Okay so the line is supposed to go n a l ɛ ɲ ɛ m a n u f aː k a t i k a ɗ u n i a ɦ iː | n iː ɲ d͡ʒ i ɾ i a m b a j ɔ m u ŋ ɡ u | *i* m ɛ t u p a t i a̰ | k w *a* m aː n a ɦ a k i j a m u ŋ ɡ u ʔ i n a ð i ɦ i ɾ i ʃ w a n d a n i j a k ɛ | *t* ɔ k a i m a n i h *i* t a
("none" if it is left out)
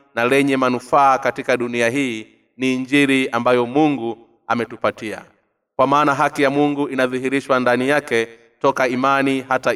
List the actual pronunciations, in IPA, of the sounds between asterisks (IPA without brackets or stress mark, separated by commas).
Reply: a, a, t, a